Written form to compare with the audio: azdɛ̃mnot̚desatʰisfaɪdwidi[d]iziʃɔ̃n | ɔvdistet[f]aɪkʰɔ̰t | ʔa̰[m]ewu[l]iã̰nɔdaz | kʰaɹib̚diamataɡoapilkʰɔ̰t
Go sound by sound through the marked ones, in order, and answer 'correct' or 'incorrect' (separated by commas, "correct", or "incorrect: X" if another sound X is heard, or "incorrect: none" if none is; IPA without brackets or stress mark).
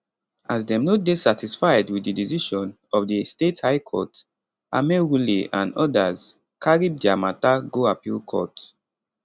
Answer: correct, incorrect: h, correct, correct